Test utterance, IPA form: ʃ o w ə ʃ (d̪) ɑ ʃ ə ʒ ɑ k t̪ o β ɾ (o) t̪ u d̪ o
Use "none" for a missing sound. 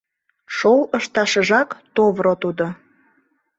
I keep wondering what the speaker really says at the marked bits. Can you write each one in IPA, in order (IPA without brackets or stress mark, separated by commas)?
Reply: t̪, o